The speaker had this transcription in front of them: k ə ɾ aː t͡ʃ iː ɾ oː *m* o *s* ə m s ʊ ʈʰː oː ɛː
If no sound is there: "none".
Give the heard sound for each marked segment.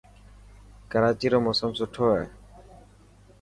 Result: m, s

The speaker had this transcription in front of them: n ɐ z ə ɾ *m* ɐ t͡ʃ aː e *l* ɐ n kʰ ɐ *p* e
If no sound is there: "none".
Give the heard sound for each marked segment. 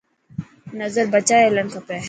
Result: b, l, p

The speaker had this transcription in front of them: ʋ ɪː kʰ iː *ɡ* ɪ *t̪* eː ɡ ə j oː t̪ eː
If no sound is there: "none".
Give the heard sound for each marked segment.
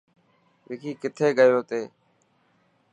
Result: k, t̪ʰ

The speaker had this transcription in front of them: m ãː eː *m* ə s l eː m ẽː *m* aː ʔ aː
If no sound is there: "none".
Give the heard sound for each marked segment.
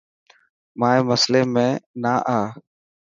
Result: m, n

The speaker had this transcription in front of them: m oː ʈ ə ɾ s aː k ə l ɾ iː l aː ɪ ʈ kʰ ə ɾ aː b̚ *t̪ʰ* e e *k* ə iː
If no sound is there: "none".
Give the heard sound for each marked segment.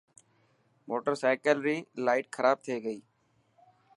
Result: t̪ʰ, ɡ

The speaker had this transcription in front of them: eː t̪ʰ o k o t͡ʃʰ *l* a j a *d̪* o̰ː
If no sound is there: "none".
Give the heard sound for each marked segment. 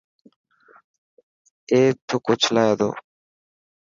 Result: l, d̪

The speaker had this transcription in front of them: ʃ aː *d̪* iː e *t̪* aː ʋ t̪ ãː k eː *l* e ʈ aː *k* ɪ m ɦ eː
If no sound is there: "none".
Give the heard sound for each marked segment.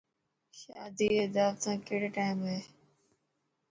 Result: d̪, d̪, ɽ, none

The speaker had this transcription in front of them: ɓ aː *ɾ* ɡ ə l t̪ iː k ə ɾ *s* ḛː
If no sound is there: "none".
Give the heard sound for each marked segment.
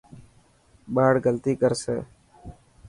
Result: ɽ, s

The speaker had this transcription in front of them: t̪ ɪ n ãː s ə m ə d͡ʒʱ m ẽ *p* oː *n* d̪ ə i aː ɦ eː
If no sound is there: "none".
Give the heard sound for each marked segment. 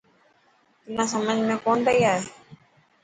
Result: k, n

